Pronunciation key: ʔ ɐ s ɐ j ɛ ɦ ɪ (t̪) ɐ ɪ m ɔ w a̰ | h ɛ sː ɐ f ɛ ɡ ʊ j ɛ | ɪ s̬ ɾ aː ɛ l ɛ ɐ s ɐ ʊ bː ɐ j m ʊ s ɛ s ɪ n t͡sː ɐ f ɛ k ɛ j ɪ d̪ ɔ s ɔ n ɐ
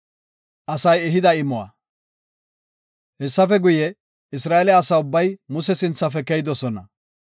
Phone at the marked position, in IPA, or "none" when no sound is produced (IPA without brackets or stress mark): d̪